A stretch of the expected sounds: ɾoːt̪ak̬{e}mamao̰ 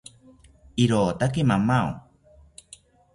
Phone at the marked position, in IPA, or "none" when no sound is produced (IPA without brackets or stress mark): e